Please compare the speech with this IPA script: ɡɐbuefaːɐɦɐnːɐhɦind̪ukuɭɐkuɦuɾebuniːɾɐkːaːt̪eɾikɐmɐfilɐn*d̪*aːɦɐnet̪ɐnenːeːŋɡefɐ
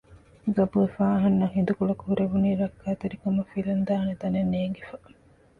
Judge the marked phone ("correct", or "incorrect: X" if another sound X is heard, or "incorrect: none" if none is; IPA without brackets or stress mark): correct